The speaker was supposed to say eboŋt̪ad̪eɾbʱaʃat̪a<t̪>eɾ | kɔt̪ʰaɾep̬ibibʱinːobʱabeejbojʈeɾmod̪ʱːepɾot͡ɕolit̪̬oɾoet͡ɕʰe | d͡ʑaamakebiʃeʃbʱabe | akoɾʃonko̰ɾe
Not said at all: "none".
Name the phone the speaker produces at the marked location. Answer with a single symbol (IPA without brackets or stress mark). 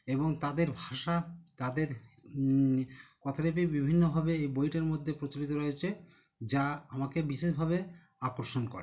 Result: d̪